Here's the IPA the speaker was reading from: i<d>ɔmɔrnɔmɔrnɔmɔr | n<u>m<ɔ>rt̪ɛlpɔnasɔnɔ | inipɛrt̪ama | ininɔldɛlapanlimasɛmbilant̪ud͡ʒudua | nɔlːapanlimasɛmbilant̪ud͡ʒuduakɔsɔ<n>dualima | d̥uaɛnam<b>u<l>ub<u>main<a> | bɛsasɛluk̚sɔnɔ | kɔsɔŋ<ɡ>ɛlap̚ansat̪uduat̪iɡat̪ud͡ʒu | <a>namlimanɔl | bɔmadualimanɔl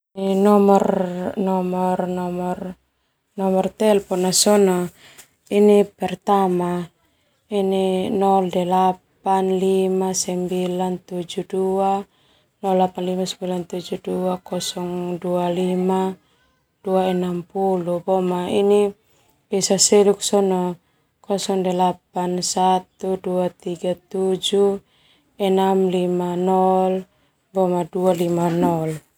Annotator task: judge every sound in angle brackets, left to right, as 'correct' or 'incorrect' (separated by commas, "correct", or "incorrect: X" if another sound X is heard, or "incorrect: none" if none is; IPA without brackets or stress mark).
incorrect: n, incorrect: ɔ, correct, incorrect: ŋ, incorrect: p, correct, incorrect: ɔ, incorrect: i, incorrect: d, incorrect: ɛ